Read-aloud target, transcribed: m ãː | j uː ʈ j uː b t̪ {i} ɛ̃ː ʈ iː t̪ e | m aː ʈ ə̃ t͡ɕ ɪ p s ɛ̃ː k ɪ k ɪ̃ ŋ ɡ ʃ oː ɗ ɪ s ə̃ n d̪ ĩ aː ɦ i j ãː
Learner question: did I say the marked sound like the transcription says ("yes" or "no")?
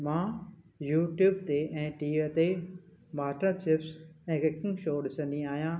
no